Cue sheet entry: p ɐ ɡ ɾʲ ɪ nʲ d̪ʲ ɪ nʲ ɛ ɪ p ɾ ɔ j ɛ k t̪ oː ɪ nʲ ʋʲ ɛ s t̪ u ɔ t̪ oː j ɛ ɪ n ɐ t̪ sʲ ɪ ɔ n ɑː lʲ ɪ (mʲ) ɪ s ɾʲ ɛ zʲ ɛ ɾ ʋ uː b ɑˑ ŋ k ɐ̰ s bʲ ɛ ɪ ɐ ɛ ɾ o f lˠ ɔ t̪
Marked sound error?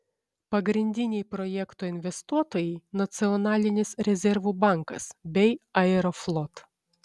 yes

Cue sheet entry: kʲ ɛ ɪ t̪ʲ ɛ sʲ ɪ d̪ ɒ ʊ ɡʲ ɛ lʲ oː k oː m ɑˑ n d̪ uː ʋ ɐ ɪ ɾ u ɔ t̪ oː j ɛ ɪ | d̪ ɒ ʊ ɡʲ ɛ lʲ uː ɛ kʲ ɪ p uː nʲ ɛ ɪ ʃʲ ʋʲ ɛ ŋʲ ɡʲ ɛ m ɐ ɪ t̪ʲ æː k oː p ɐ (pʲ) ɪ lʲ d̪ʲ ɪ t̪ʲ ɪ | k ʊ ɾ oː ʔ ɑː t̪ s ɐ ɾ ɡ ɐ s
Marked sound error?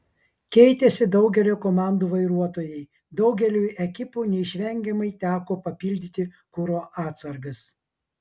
no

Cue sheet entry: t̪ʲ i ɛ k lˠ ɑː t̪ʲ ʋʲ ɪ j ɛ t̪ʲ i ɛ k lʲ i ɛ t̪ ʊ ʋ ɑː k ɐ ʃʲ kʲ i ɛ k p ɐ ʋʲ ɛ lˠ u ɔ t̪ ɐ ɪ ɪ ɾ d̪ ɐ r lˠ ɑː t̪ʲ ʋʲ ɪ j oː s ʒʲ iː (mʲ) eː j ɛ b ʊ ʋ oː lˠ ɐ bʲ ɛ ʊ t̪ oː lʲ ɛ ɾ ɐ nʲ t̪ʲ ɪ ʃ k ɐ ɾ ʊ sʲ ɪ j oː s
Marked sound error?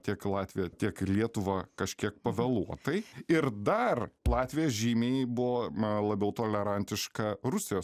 no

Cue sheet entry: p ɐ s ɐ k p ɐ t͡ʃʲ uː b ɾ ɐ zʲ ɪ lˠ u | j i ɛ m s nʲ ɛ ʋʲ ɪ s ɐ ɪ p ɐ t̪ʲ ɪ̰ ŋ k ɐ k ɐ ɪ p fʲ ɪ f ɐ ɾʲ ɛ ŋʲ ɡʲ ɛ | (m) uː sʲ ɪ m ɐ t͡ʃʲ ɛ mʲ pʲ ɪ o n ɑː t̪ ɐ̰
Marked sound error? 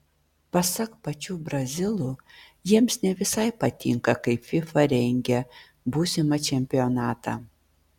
yes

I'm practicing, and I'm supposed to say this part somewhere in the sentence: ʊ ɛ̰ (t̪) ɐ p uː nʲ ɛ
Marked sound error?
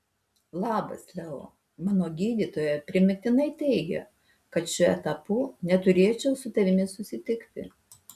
no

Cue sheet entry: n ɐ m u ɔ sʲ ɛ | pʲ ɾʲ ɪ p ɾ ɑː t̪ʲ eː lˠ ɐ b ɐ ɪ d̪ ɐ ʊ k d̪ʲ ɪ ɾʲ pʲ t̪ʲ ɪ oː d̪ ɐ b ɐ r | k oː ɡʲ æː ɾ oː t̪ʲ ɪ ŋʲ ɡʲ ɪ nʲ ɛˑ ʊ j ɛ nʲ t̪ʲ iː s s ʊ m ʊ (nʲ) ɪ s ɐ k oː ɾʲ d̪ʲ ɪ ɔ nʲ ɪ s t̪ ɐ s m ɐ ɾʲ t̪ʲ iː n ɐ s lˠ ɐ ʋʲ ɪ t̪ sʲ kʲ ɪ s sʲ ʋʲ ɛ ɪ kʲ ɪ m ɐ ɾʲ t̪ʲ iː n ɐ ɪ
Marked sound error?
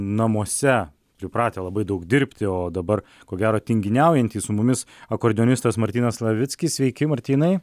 yes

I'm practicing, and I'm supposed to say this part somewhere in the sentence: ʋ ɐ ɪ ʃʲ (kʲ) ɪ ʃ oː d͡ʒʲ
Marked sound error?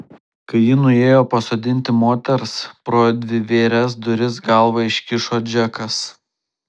no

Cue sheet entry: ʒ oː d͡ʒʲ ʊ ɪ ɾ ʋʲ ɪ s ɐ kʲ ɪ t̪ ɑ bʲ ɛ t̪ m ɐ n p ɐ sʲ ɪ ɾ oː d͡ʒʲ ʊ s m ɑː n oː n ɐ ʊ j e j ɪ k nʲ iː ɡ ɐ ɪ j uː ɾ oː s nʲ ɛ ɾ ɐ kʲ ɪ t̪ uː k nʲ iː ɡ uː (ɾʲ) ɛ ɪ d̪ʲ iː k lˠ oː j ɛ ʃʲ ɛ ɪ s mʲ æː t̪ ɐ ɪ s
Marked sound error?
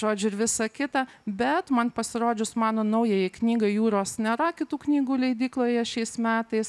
yes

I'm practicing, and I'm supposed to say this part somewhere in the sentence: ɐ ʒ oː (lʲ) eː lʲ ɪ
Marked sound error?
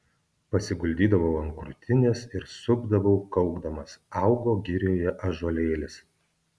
no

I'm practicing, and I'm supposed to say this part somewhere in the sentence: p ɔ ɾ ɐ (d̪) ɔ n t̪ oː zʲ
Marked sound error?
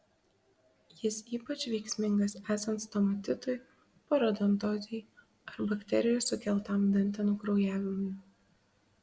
no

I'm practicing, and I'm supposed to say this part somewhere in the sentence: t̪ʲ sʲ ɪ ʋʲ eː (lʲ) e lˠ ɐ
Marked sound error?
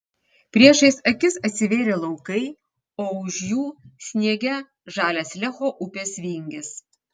yes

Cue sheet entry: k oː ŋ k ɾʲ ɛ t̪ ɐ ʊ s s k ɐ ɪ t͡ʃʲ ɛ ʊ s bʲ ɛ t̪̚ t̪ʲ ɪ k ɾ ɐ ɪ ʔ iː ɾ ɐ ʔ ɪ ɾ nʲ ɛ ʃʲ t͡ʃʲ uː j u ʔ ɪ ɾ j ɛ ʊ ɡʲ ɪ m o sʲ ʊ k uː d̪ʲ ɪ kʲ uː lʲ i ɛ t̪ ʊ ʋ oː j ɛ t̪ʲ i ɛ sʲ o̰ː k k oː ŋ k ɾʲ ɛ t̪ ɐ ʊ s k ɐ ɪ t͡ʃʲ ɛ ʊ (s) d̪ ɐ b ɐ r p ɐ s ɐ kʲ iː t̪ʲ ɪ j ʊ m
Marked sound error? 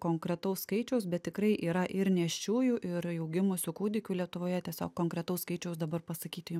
no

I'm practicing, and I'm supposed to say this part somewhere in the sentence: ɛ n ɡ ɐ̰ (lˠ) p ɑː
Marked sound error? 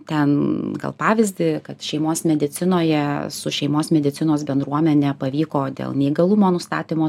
no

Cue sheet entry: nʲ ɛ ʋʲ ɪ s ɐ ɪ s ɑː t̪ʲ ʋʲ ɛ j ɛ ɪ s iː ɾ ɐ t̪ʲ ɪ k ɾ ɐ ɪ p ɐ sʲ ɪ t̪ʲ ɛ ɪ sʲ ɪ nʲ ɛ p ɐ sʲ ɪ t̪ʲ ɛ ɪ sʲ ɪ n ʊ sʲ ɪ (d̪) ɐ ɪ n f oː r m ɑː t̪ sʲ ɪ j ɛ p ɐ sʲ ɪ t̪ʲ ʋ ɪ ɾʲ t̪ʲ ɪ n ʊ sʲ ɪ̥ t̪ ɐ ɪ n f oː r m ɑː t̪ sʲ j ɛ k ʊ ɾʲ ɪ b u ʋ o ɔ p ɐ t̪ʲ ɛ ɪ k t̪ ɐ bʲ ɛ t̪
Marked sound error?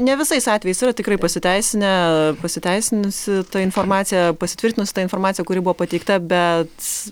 yes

